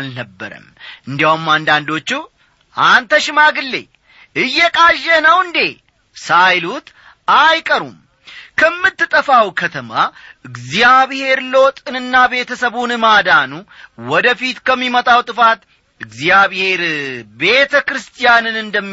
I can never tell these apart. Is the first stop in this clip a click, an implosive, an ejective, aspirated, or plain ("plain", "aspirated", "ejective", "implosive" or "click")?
plain